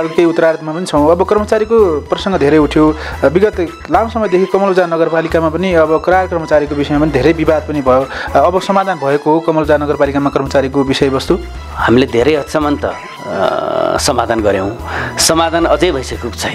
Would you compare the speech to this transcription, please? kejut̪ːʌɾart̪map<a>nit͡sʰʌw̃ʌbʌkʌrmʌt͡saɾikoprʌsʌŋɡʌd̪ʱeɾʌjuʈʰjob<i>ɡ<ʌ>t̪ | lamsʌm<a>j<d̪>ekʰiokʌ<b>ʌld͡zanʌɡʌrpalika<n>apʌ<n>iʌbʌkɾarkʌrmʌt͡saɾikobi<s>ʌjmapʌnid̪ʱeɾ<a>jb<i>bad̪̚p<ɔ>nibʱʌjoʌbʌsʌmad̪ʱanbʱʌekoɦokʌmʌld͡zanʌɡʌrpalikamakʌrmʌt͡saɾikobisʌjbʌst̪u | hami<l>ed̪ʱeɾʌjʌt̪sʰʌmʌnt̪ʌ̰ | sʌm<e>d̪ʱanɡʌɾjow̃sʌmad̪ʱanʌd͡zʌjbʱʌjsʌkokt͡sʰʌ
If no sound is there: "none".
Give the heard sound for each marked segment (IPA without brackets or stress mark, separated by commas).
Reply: ʌ, i, ʌ, ʌ, d̪, m, m, n, s, ʌ, i, ʌ, l, a